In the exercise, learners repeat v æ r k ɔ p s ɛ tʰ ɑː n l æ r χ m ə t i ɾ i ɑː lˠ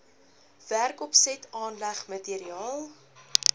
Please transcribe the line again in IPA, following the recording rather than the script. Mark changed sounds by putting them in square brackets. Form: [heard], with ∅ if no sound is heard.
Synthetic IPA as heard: v æ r k ɔ p s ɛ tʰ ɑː n l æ [∅] χ m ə t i ɾ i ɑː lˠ